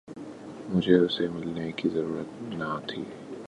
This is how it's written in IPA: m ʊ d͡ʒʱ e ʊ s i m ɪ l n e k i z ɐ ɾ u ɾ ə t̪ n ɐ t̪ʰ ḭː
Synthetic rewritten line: m ʊ d͡ʒʱ e ʊ s e m ɪ l n e k i z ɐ ɾ uː ɾ ə t̪ n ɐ t̪ʰ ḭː

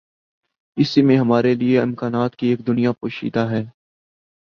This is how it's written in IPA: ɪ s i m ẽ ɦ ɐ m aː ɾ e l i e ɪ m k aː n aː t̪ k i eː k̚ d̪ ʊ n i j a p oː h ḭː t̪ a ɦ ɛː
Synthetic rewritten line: ɪ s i m ẽ ɦ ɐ m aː ɾ e l i e ɪ m k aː n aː t̪ k i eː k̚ d̪ ʊ n i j a p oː ʃ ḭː d̪ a ɦ ɛː

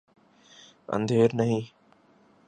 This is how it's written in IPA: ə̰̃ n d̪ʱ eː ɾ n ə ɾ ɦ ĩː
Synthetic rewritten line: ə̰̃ n d̪ʱ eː ɾ n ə ɦ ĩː

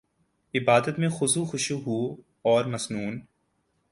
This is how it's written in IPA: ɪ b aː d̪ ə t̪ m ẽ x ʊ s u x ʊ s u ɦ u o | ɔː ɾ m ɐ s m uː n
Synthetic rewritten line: ɪ b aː d̪ ə t̪ m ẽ x ʊ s u x ʊ ʃ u ɦ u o | ɔː ɾ m ɐ s n uː n

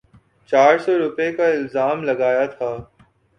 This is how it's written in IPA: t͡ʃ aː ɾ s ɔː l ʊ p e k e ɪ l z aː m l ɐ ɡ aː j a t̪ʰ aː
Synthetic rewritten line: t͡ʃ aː ɾ s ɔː ɾ ʊ p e k a ɪ l z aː m l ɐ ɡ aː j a t̪ʰ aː

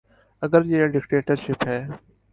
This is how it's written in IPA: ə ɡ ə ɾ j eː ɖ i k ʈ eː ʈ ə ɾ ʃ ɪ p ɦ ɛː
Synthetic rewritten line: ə ɡ ə ɾ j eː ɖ ɪ k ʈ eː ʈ ə ɾ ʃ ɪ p ɦ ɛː

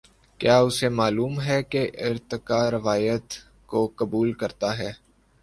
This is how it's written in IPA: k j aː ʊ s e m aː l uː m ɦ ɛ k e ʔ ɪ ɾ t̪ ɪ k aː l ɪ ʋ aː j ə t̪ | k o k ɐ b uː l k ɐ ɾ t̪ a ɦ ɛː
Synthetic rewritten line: k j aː ʊ s e m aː l uː m ɦ ɛ k e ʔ ɪ ɾ t̪ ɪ k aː ɾ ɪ ʋ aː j ə t̪ | k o k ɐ b uː l k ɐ ɾ t̪ a ɦ ɛː

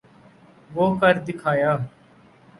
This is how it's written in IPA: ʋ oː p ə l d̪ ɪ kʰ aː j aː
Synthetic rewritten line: ʋ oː k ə ɾ d̪ ɪ kʰ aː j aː

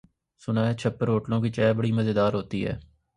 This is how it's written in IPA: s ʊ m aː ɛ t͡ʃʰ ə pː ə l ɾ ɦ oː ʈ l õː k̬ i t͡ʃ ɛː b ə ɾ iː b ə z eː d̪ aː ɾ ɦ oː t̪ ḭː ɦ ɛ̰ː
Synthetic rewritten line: s ʊ n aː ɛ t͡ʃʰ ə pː ə ɾ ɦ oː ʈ l õː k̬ i t͡ʃ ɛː b ə ɽ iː m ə z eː d̪ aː ɾ ɦ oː t̪ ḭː ɦ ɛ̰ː

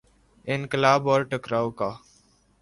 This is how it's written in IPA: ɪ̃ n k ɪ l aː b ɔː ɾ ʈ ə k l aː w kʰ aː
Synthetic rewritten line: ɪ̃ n k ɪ l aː b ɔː ɾ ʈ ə k ɾ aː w k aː

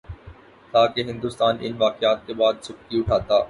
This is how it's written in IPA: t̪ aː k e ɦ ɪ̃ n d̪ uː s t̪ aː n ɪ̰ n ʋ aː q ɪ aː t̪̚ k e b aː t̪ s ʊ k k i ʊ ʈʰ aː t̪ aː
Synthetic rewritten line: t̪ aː k e ɦ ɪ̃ n d̪ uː s t̪ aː n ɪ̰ n ʋ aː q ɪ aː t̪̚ k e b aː d̪ s ʊ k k i ʊ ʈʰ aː t̪ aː

